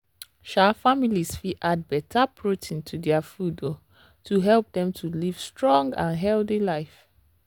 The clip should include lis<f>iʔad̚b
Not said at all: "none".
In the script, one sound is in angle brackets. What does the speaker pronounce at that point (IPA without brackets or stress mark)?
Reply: f